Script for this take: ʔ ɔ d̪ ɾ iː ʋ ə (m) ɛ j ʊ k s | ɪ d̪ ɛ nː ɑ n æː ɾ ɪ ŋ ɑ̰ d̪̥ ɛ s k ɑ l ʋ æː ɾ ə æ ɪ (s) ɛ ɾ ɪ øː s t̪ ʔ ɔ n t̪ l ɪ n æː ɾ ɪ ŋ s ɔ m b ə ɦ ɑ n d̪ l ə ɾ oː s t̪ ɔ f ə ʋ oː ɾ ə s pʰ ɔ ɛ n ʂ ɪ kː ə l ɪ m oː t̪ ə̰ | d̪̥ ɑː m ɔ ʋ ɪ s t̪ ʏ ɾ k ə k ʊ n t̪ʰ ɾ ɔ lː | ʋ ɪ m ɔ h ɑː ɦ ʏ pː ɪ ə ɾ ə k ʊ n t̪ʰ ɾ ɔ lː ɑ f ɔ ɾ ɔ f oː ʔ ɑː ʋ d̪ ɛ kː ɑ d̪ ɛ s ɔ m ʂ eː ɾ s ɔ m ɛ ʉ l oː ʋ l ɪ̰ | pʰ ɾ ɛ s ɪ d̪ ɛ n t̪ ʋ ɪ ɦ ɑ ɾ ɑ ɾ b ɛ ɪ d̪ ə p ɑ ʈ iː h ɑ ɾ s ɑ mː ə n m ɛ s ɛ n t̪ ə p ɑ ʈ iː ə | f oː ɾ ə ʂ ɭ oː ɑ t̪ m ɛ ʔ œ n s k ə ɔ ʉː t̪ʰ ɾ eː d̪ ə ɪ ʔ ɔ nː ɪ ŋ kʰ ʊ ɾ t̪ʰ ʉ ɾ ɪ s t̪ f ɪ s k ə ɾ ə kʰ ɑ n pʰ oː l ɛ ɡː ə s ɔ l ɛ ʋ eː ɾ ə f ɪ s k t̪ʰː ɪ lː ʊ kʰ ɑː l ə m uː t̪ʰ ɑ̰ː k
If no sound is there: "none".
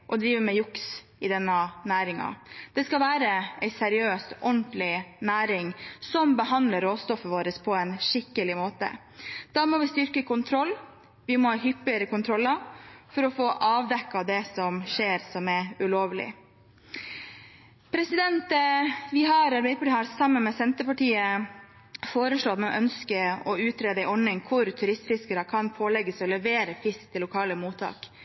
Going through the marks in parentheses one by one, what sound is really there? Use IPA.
m, s

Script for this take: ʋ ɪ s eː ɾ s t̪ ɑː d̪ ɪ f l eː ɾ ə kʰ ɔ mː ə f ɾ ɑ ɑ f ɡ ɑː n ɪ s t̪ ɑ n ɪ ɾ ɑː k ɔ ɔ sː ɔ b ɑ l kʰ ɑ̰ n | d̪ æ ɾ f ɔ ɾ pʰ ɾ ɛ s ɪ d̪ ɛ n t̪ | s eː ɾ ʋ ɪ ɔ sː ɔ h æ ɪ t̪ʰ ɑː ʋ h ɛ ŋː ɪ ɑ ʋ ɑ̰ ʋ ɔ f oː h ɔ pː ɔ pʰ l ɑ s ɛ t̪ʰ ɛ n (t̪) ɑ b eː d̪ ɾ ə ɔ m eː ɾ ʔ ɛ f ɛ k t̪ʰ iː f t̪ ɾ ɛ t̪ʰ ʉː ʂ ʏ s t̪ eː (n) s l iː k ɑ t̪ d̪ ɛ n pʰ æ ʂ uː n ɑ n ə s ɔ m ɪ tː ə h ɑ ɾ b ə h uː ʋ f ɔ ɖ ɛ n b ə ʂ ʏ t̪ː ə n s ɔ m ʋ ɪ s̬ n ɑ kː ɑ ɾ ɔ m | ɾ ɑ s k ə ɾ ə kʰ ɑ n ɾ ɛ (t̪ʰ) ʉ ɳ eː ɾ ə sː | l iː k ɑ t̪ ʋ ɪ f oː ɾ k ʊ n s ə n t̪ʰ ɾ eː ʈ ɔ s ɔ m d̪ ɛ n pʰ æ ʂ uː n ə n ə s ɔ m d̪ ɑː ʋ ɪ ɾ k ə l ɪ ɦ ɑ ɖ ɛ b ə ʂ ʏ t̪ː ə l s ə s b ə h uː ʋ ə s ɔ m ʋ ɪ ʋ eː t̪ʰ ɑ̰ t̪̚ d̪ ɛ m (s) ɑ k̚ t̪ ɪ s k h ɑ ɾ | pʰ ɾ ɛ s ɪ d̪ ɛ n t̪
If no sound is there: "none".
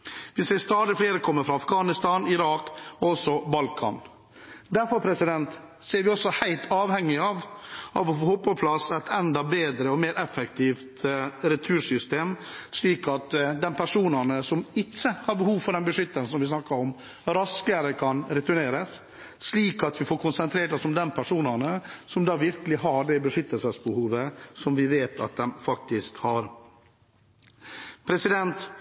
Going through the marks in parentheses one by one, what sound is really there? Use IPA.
d̪, m, t̪, f

